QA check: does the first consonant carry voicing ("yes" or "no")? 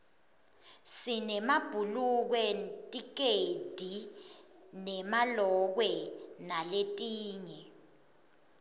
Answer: no